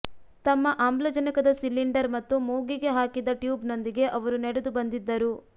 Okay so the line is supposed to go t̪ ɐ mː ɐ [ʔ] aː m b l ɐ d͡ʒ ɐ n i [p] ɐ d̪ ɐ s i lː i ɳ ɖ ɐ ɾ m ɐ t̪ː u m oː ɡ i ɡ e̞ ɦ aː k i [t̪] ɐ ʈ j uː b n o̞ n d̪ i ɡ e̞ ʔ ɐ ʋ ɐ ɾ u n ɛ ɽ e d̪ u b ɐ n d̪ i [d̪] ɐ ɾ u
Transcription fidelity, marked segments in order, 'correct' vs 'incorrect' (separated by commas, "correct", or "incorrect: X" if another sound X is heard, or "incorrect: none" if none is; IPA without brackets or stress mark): correct, incorrect: k, incorrect: d̪, incorrect: d̪ː